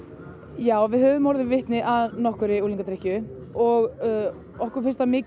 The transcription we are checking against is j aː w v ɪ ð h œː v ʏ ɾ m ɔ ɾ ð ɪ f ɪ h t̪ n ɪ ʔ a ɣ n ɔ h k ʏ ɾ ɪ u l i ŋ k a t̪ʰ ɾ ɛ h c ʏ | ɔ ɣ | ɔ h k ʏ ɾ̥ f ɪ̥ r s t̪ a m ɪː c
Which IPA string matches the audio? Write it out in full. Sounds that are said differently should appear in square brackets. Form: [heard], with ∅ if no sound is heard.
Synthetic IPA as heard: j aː w v ɪ ð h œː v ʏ [∅] m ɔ ɾ ð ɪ [v] ɪ h t̪ n ɪ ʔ a [ð] n ɔ h k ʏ ɾ ɪ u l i ŋ k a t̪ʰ ɾ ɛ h c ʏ | ɔ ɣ | ɔ h k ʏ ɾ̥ f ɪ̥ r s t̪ a m ɪː c